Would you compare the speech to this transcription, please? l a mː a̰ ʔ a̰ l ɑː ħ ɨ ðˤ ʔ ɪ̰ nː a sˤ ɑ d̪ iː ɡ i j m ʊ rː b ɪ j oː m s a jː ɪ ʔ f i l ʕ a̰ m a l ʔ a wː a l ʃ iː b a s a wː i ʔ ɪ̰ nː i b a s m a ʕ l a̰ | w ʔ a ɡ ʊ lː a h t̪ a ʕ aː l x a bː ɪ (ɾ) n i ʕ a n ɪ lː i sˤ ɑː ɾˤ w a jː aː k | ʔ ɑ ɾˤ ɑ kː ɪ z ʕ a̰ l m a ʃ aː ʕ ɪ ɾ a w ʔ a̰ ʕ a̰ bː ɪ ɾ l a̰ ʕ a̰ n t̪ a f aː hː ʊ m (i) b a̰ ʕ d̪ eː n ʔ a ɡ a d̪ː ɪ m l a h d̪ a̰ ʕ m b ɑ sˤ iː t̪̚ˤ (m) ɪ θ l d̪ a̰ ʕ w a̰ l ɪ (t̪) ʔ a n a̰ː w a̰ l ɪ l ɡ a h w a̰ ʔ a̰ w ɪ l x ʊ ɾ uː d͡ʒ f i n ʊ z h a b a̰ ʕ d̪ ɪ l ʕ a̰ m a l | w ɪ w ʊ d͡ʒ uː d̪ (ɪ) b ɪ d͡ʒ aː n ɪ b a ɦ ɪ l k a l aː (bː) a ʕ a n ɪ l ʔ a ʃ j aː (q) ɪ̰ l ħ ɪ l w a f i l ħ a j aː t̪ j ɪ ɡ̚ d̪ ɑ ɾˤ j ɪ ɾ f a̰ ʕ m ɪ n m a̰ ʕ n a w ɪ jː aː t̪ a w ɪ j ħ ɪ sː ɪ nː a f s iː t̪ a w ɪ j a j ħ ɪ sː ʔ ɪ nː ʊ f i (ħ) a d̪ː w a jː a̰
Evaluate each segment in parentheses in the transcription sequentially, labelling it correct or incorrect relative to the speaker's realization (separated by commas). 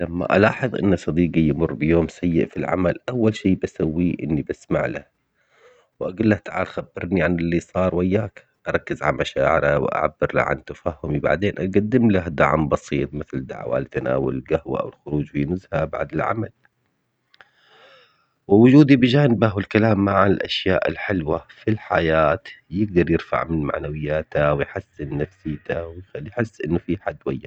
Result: correct, correct, correct, correct, incorrect, incorrect, incorrect, correct